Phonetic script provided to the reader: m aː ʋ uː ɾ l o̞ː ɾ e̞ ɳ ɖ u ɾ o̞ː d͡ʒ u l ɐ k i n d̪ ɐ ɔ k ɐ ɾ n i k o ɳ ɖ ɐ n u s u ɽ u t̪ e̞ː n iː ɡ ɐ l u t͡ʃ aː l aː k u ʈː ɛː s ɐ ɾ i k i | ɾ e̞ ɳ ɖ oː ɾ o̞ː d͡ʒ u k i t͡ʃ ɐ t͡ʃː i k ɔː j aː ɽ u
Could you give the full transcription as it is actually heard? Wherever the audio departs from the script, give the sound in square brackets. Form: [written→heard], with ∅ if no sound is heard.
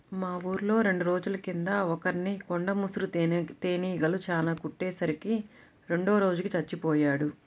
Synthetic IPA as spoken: m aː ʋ uː ɾ l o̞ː ɾ e̞ ɳ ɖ u ɾ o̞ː d͡ʒ u l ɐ k i n d̪ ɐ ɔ k ɐ ɾ n i k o ɳ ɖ ɐ [n→m] u s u [ɽ→ɾ] u t̪ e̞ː n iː ɡ ɐ l u t͡ʃ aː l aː k u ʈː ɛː s ɐ ɾ i k i | ɾ e̞ ɳ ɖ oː ɾ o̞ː d͡ʒ u k i t͡ʃ ɐ t͡ʃː i [k→p] ɔː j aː ɽ u